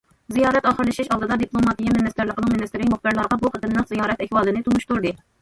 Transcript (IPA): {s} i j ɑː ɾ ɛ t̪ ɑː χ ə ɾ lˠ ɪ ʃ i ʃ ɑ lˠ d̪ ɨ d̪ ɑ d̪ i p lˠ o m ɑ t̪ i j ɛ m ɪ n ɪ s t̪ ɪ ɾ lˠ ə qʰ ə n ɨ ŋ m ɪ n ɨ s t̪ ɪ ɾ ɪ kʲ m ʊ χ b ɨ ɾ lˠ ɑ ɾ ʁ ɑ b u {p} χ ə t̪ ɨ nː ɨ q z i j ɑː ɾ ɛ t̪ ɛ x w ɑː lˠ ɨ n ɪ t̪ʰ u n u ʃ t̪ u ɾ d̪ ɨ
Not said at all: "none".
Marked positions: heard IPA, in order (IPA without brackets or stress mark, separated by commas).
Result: z, none